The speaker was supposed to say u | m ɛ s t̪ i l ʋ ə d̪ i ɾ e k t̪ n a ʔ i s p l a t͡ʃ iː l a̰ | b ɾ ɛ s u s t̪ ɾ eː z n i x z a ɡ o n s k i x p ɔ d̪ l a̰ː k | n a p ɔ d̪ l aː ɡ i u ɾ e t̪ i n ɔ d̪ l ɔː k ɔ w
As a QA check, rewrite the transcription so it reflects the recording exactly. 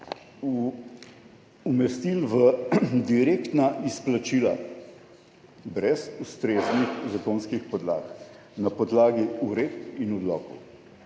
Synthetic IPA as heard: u | m ɛ s t̪ i l ʋ ə d̪ i ɾ e k t̪ n a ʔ i s p l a t͡ʃ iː l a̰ | b ɾ ɛ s u s t̪ ɾ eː z n i x z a k o n s k i x p ɔ d̪ l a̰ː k | n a p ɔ d̪ l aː ɡ i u ɾ e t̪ i n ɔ d̪ l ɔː k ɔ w